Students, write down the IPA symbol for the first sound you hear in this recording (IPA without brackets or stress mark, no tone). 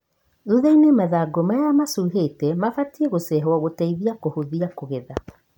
ð